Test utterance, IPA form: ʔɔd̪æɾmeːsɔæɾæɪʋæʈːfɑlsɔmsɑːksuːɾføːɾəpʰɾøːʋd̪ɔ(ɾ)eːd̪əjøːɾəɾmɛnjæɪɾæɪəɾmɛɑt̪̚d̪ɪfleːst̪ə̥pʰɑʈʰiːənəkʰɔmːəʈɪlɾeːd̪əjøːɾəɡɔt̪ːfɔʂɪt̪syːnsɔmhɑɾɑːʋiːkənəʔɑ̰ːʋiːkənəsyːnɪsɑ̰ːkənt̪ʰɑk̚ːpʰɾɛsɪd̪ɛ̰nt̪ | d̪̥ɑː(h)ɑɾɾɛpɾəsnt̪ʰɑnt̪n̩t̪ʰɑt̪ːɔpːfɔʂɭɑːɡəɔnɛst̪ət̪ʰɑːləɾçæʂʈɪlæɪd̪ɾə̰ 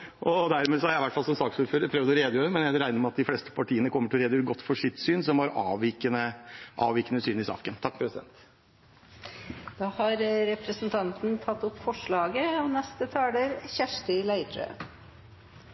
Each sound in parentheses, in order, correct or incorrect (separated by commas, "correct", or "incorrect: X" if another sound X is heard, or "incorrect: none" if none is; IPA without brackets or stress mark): correct, correct